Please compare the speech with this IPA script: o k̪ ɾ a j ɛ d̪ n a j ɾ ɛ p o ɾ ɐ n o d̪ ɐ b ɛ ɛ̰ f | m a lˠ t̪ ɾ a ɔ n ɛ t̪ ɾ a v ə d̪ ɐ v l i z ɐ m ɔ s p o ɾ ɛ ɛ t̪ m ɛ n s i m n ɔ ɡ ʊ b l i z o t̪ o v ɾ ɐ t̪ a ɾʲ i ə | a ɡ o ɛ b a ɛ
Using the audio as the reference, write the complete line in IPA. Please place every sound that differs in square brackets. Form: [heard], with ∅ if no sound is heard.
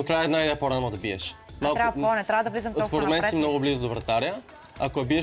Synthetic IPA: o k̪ ɾ a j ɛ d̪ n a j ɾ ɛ p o ɾ [a] n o d̪ ɐ b [i] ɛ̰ [ʃ] | m a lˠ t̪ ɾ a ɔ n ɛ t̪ ɾ a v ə d̪ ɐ v l i z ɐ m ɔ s p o ɾ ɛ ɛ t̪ m ɛ n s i m n ɔ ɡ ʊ b l i z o [d̪] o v ɾ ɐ t̪ a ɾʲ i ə | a [k] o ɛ b [i] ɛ